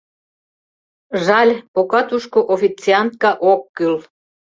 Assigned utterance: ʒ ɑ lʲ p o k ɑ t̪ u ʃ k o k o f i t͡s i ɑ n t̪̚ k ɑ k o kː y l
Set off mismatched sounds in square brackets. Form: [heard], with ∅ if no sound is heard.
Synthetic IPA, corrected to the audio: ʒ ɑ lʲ p o k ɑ t̪ u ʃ k o [ʔ] o f i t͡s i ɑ n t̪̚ k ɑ [ʔ] o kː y l